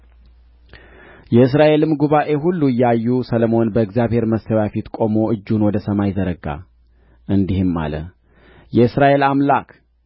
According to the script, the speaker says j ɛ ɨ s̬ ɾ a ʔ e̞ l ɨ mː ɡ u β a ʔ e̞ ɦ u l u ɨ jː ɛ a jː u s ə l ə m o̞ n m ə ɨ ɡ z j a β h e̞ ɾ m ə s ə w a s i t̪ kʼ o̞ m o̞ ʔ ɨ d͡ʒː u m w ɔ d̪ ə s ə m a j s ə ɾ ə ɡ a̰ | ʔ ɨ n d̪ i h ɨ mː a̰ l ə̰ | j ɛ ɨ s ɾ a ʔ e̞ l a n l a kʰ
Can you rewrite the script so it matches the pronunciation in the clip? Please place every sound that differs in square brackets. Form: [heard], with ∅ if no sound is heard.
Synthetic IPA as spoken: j ɛ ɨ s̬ ɾ a ʔ e̞ l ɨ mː ɡ u β a ʔ e̞ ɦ u [lː] u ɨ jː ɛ a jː u s ə l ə m o̞ n [b] ə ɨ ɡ z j a β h e̞ ɾ m ə s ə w a [f] i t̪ kʼ o̞ m o̞ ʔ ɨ d͡ʒː u [n] w ɔ d̪ ə s ə m a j [z] ə ɾ ə ɡ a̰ | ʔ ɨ n d̪ i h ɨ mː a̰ l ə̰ | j ɛ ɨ s ɾ a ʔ e̞ l a [m] l a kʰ